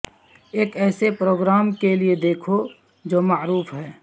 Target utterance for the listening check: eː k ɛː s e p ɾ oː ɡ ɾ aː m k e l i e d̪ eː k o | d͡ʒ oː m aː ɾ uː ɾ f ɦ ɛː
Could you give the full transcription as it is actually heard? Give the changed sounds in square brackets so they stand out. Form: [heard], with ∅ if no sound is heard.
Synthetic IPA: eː k ɛː s e p ɾ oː ɡ ɾ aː m k e l i e d̪ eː [kʰ] o | d͡ʒ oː m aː ɾ uː [∅] f ɦ ɛː